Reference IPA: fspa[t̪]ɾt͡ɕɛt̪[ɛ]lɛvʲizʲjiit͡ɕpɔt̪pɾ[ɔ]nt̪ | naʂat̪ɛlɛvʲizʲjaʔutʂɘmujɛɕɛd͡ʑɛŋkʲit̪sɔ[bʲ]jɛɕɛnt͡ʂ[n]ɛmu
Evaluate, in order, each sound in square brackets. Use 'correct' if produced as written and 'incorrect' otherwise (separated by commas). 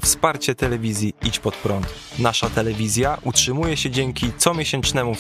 incorrect, correct, correct, incorrect, correct